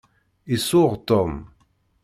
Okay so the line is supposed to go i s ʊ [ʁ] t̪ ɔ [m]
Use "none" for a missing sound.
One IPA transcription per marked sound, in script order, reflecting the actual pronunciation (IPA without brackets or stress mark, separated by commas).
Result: ʁ, m